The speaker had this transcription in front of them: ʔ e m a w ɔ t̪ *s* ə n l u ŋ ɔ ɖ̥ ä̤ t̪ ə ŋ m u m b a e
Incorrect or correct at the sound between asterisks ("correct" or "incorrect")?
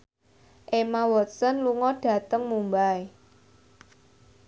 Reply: correct